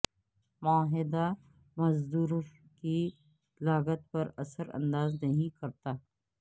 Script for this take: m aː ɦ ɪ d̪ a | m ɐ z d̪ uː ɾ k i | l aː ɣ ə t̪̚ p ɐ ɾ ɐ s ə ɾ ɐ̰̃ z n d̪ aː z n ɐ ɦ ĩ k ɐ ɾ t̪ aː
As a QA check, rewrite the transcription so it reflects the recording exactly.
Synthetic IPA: m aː ɦ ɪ d̪ a | m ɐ z d̪ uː ɾ k i | l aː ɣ ə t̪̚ p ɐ ɾ ɐ s ə ɾ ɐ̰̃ n d̪ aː z n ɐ ɦ ĩ k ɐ ɾ t̪ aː